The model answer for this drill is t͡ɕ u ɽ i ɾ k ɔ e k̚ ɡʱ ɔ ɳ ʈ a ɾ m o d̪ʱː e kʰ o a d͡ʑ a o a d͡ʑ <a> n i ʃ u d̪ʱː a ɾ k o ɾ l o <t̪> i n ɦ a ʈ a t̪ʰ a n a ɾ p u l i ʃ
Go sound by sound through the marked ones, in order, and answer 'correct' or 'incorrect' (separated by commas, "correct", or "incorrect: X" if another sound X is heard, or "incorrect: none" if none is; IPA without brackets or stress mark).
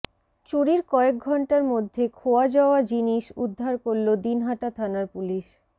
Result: incorrect: i, incorrect: d̪